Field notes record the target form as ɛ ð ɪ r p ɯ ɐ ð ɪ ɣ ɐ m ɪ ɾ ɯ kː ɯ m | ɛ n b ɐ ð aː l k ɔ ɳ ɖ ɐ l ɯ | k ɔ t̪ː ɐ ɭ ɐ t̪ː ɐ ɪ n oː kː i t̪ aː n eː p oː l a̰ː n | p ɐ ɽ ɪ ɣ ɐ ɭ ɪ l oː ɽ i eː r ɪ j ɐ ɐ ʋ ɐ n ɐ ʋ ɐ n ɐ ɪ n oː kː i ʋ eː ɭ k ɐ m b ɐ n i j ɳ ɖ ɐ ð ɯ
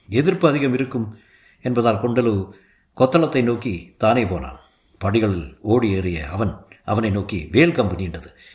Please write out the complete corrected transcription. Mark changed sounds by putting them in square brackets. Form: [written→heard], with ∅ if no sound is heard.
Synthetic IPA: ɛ ð ɪ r p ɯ ɐ ð ɪ ɣ ɐ m ɪ ɾ ɯ kː ɯ m | ɛ n b ɐ ð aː l k ɔ ɳ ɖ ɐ l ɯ | k ɔ t̪ː ɐ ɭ ɐ t̪ː ɐ ɪ n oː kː i t̪ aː n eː p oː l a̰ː n | p ɐ ɽ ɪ ɣ ɐ ɭ ɪ l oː ɽ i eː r ɪ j ɐ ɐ ʋ ɐ n ɐ ʋ ɐ n ɐ ɪ n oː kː i ʋ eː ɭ k ɐ m b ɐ n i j ɳ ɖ ɐ ð ɯ